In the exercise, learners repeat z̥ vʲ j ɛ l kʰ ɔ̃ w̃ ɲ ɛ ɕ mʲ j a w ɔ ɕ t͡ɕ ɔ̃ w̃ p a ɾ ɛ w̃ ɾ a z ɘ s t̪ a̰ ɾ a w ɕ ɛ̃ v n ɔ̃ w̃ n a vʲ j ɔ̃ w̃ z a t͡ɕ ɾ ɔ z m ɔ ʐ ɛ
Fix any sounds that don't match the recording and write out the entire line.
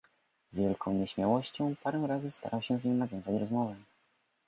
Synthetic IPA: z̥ vʲ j ɛ l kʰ ɔ̃ w̃ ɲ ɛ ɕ mʲ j a w ɔ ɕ t͡ɕ ɔ̃ w̃ p a ɾ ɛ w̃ ɾ a z ɘ s t̪ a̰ ɾ a w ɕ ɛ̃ v ɲ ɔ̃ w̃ n a vʲ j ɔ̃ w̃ z a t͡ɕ ɾ ɔ z m ɔ v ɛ